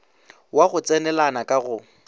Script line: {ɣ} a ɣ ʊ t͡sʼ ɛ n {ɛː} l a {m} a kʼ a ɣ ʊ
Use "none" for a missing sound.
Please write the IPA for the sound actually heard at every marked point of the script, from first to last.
w, ɛ, n

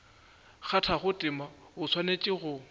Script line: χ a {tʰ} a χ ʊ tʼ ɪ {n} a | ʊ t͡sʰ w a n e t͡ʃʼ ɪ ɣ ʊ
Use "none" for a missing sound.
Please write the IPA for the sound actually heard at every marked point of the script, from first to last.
tʰ, m

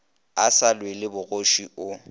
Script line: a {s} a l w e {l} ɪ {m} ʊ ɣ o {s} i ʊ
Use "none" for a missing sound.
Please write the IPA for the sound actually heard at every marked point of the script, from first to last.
s, l, b, ʃ

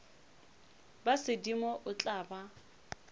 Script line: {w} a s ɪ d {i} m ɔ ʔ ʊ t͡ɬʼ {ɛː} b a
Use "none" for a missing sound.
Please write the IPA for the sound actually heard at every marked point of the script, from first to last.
b, i, aː

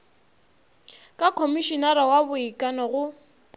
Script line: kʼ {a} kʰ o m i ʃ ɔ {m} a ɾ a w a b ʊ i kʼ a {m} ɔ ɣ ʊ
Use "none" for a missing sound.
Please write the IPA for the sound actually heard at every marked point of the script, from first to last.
a, n, n

